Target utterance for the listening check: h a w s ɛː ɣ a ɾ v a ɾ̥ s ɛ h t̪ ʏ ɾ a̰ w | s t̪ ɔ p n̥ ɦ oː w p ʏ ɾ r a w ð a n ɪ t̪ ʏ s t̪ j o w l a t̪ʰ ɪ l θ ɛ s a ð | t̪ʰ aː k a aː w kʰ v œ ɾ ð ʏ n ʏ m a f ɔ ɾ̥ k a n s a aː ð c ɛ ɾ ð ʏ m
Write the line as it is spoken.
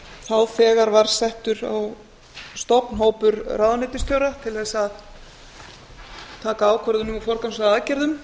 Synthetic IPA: θ a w f ɛː ɣ a ɾ v a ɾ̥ s ɛ h t̪ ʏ ɾ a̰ w | s t̪ ɔ p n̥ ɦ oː w p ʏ ɾ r a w ð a n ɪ t̪ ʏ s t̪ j o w ɾ a t̪ʰ ɪ l θ ɛ s a ð | t̪ʰ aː k a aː w kʰ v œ ɾ ð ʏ n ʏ m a f ɔ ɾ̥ k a n s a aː ð c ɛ ɾ ð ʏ m